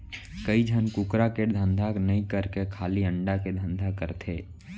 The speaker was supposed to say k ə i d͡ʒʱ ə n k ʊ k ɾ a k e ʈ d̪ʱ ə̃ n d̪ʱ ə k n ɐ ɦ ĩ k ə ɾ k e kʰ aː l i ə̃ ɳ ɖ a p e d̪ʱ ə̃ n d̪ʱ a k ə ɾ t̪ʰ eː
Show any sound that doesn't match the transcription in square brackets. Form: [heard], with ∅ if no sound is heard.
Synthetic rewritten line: k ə i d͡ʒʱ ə n k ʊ k ɾ a k e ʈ d̪ʱ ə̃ n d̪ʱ [a] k n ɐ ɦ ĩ k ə ɾ k e kʰ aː l i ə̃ ɳ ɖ a [k] e d̪ʱ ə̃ n d̪ʱ a k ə ɾ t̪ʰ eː

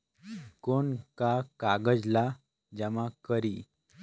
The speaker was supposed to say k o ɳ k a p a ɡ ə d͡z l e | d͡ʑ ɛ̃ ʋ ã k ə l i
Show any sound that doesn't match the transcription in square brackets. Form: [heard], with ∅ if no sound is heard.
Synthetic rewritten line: k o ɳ k a [k] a ɡ ə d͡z l [a] | d͡ʑ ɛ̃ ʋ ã k ə [ɾ] i

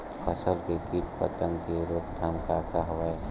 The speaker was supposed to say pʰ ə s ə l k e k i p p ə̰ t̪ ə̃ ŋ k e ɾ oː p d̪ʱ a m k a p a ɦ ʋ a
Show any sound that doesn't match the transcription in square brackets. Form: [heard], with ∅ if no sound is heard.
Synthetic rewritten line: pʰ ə s ə l k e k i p p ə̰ t̪ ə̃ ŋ k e ɾ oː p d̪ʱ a m k a [k] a ɦ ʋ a

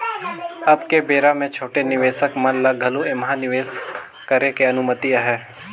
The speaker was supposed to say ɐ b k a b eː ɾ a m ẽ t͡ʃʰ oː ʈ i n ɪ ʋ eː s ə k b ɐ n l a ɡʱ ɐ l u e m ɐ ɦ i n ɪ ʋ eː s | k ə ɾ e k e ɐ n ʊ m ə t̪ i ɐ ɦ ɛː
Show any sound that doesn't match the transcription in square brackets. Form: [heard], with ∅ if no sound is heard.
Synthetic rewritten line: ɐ b k [e] b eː ɾ a m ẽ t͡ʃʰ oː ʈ [e] n ɪ ʋ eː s ə k [m] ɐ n l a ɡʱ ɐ l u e m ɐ ɦ [a] n ɪ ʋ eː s | k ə ɾ e k e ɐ n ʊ m ə t̪ i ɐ ɦ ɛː

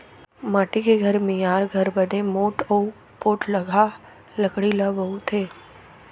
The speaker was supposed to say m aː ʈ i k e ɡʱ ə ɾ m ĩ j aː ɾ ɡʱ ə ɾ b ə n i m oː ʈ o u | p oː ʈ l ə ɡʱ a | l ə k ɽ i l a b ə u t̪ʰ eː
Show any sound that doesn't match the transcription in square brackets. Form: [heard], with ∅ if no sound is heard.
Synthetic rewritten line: m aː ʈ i k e ɡʱ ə ɾ m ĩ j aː ɾ ɡʱ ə ɾ b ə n [e] m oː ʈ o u | p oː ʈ l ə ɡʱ a | l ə k ɽ i l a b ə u t̪ʰ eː

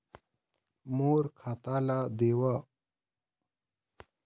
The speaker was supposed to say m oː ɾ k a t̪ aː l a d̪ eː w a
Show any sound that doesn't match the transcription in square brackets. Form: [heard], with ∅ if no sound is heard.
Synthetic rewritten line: m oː ɾ [kʰ] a t̪ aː l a d̪ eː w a

